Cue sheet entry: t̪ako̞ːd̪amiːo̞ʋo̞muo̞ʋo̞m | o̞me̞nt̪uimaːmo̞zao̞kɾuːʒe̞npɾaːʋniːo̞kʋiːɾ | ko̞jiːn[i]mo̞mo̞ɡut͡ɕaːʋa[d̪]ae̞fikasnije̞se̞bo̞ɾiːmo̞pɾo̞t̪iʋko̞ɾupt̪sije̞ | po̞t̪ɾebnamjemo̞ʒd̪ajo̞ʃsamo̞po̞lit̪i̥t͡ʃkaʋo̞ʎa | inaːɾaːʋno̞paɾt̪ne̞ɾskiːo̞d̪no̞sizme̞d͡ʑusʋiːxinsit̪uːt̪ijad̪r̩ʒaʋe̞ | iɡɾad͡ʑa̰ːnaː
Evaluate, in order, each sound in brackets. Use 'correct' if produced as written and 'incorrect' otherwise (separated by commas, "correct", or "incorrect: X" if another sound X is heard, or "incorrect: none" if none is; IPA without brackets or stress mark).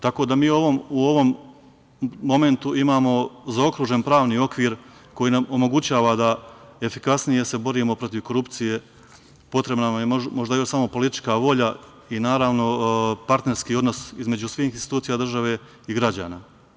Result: incorrect: a, correct